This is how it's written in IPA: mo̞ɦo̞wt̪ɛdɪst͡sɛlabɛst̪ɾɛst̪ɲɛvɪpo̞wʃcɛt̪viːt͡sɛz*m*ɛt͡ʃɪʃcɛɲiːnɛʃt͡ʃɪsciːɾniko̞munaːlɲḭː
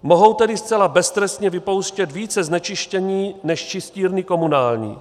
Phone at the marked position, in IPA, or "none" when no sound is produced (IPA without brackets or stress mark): n